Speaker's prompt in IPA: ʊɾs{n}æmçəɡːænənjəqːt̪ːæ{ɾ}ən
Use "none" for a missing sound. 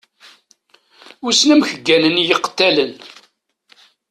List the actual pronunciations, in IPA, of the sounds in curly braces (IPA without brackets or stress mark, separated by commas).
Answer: n, l